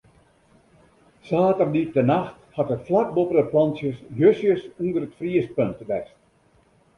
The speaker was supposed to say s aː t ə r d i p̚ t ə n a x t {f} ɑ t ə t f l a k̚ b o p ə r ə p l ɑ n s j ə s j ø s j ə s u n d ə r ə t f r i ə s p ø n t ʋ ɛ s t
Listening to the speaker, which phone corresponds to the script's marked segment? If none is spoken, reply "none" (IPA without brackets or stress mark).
h